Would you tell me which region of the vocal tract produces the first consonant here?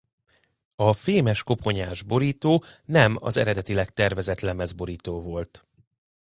lips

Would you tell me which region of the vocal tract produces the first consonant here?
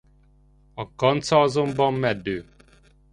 velum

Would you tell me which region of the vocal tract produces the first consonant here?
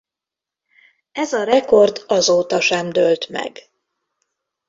tongue tip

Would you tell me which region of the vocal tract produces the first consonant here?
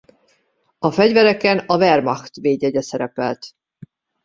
lips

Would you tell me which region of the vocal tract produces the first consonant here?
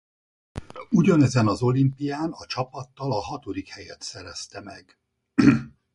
palate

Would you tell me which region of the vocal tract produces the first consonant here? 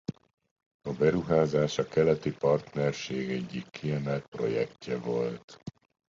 lips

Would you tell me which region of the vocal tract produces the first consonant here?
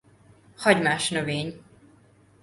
throat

